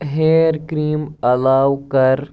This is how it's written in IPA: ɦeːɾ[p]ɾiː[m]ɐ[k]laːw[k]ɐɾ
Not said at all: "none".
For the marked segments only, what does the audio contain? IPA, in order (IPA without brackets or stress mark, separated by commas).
k, m, none, k